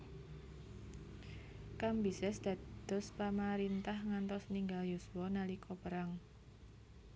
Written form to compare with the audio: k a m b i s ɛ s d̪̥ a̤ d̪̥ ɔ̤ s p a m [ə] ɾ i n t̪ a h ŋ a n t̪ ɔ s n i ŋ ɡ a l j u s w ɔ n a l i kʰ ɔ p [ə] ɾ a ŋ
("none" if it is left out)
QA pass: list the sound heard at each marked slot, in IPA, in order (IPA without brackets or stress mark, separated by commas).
a, ə